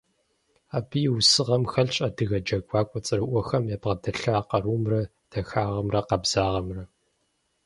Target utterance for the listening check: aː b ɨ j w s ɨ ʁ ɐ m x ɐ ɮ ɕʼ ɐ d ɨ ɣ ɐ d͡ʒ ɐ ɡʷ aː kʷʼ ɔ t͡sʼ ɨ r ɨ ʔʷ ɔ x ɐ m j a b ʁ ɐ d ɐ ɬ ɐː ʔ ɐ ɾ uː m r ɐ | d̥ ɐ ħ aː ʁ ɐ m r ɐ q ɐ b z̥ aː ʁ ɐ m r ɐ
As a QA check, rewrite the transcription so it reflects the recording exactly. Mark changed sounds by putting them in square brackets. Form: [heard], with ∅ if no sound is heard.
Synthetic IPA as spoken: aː b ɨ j w s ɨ ʁ ɐ m x ɐ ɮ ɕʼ ɐ d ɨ ɣ ɐ d͡ʒ ɐ ɡʷ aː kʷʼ ɔ t͡sʼ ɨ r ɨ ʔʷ ɔ x ɐ m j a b ʁ ɐ d ɐ ɬ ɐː [q] ɐ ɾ uː m r ɐ | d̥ ɐ [x] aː ʁ ɐ m r ɐ q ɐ b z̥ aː ʁ ɐ m r ɐ